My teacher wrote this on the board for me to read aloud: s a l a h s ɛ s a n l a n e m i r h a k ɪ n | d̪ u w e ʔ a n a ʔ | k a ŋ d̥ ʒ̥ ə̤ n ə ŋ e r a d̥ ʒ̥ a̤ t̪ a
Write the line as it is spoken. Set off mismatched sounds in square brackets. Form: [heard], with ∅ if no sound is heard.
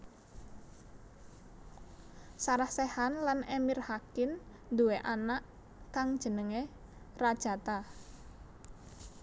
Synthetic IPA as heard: s a [ɾ] a h s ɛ [h] a n l a n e m i r h a k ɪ n | d̪ u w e ʔ a n a ʔ | k a ŋ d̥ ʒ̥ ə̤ n ə ŋ e r a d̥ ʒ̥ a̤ t̪ a